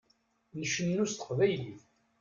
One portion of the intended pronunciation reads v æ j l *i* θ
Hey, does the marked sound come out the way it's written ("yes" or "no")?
yes